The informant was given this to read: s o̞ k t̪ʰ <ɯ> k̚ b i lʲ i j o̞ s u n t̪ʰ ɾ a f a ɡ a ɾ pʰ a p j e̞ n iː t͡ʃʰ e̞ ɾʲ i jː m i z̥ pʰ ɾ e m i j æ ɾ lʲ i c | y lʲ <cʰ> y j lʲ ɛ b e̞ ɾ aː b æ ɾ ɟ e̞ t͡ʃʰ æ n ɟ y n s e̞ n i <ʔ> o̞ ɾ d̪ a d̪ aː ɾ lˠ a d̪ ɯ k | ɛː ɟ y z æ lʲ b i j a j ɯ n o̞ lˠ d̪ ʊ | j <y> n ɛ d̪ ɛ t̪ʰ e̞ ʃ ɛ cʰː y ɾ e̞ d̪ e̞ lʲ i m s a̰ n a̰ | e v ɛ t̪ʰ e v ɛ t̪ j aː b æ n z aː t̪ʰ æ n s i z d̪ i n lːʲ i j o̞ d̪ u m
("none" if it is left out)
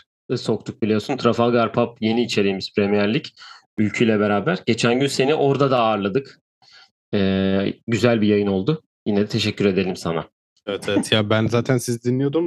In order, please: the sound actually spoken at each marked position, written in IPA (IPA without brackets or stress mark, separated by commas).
u, cʰ, ʔ, i